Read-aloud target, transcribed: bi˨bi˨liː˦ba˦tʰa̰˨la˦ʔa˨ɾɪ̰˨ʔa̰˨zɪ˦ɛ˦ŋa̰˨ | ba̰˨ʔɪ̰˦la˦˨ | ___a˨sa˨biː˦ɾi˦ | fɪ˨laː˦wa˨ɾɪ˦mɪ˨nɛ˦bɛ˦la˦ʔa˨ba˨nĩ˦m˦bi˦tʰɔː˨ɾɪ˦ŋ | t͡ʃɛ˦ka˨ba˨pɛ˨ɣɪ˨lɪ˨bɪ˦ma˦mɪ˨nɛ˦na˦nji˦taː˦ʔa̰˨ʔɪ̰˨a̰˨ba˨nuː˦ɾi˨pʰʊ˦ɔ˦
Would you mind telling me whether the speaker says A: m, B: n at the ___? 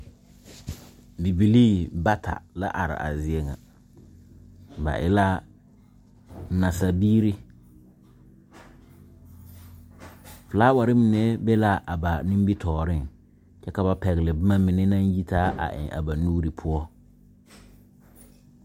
B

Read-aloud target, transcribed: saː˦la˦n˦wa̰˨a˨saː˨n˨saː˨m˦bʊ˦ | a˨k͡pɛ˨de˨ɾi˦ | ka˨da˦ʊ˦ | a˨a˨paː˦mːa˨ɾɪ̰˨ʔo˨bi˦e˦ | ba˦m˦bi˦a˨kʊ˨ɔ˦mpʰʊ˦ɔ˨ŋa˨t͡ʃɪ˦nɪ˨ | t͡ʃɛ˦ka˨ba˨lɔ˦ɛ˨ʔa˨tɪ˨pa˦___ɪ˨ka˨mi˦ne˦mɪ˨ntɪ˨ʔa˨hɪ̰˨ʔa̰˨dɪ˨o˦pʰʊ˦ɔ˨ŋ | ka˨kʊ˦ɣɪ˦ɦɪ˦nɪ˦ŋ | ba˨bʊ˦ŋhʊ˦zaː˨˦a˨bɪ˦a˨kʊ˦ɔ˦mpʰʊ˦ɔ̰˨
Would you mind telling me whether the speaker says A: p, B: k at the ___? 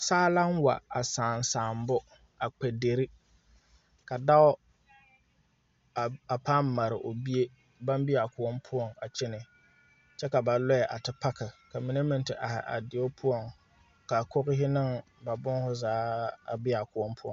B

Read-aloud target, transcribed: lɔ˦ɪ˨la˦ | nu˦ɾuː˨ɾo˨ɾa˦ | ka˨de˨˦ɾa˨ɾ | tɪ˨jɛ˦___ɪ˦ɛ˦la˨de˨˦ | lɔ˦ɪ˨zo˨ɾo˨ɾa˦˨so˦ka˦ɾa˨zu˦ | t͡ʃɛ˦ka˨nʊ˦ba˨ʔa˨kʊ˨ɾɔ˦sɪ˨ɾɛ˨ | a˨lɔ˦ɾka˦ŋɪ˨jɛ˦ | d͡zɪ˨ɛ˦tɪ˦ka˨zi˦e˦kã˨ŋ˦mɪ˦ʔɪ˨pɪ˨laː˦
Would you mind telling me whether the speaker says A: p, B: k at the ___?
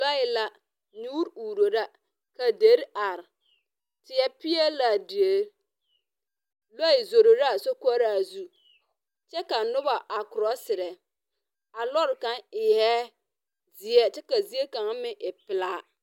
A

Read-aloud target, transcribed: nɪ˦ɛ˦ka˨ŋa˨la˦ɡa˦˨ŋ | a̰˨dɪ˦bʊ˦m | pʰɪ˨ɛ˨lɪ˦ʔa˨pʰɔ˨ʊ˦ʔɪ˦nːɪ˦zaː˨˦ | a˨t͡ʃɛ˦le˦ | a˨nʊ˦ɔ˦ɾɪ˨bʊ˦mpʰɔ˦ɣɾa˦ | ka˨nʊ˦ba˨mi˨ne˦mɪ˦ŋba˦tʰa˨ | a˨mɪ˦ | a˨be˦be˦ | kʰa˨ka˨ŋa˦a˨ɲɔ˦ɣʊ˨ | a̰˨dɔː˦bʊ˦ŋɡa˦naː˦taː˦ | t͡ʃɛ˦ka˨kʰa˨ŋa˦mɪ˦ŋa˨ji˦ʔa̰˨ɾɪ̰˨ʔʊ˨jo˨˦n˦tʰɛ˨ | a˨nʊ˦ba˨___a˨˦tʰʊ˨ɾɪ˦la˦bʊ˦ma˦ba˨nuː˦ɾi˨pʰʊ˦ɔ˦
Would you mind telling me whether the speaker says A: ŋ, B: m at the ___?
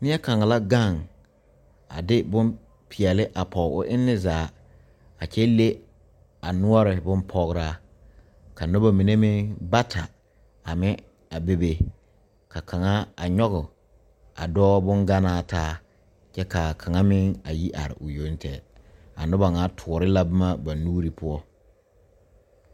A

